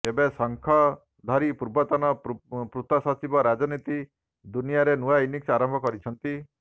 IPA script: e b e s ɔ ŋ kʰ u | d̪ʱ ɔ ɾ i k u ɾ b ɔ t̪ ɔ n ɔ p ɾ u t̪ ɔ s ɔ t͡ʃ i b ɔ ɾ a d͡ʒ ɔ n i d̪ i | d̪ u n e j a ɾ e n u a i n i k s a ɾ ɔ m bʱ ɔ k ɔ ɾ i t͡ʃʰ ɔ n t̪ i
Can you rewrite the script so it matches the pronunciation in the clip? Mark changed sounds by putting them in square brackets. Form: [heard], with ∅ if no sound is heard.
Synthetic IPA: e b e s ɔ ŋ kʰ [ɔ] | d̪ʱ ɔ ɾ i [p] u ɾ b ɔ t̪ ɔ n ɔ p ɾ u t̪ ɔ s ɔ t͡ʃ i b ɔ ɾ a d͡ʒ ɔ n i [t̪] i | d̪ u n [i] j a ɾ e n u a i n i k s a ɾ ɔ m bʱ ɔ k ɔ ɾ i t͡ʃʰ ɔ n t̪ i